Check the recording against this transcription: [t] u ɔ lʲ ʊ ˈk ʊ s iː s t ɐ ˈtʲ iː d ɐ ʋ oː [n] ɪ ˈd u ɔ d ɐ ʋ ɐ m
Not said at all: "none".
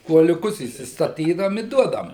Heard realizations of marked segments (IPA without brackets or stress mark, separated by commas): k, m